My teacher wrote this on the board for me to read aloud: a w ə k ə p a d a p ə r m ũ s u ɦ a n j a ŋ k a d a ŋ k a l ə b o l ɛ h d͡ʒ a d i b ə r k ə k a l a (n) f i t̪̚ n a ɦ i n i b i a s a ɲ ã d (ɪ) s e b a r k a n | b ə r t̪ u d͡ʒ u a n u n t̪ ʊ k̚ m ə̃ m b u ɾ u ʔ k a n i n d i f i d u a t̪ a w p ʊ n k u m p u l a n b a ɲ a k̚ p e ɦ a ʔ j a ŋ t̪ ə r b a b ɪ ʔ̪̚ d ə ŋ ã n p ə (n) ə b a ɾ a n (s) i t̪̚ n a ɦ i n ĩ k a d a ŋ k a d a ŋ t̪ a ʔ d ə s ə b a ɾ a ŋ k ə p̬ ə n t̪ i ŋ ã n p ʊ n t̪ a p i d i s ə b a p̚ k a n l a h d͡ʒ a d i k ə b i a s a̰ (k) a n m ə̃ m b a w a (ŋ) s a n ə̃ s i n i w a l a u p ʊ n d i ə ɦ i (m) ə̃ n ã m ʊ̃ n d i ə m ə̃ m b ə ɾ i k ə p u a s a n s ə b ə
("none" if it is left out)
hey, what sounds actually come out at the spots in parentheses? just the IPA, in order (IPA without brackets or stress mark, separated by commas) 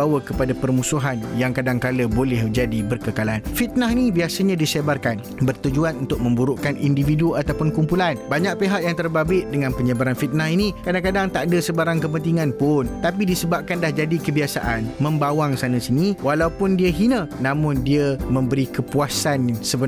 n, i, ɲ, f, ʔ, ŋ, n